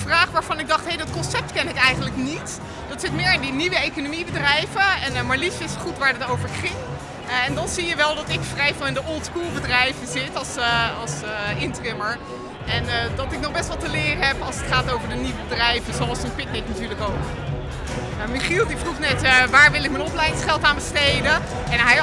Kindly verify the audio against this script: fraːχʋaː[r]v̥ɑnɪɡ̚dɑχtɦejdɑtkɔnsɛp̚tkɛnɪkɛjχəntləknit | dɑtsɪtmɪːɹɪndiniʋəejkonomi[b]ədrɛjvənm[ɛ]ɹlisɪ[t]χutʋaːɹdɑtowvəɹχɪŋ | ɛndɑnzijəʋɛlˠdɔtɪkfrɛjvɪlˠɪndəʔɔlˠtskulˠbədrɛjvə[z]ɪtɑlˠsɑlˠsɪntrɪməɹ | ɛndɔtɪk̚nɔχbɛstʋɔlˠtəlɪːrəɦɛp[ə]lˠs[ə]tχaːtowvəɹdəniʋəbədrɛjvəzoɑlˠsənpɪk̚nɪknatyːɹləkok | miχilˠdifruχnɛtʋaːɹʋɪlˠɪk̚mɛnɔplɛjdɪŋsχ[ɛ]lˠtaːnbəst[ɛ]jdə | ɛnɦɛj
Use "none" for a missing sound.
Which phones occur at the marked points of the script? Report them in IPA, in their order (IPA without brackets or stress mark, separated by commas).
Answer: ɹ, b, a, s, z, ɑ, ə, ɛ, e